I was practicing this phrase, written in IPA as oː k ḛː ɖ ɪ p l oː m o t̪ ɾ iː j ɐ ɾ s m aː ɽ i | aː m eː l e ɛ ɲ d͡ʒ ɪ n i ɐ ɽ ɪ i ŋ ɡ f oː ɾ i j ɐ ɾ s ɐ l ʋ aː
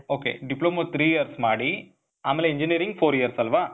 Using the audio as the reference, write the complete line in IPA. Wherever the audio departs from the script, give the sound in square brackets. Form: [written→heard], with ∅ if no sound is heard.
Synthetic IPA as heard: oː k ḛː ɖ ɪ p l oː m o t̪ ɾ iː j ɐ ɾ s m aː ɽ i | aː m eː l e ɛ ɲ d͡ʒ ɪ n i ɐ [ɽ→ɾ] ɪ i ŋ ɡ f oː ɾ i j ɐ ɾ s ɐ l ʋ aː

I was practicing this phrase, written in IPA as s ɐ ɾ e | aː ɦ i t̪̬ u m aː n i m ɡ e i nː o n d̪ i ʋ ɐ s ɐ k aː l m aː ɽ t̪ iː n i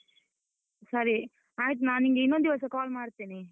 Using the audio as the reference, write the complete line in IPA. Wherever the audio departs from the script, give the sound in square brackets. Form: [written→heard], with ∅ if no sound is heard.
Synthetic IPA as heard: s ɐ ɾ [e→i] | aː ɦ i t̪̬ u [m→n] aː n i [m→ŋ] ɡ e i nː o n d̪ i ʋ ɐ s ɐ k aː l m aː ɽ t̪ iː n i

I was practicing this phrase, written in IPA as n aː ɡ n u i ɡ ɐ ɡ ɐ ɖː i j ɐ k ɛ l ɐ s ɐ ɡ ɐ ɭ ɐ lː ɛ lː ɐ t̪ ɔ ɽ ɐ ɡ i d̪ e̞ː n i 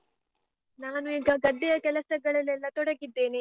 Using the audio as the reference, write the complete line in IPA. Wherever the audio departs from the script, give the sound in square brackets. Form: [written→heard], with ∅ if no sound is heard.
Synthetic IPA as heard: n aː [ɡ→∅] n u [i→iː] ɡ ɐ ɡ ɐ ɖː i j ɐ k ɛ l ɐ s ɐ ɡ ɐ ɭ ɐ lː ɛ lː ɐ t̪ ɔ ɽ ɐ ɡ i [d̪→d̪ː] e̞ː n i

